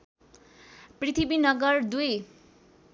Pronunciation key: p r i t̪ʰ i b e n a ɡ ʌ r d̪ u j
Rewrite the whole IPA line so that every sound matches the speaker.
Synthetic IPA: p r i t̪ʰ i b i n ʌ ɡ ʌ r d̪ u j